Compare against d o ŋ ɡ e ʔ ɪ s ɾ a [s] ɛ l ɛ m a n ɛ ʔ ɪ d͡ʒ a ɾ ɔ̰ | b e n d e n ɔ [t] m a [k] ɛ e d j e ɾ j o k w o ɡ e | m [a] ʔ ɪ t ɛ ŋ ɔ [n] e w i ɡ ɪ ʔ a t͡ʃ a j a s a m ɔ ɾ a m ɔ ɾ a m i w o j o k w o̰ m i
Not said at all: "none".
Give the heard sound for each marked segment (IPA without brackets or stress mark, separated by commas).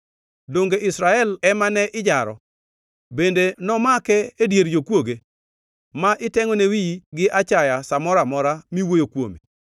none, none, k, a, n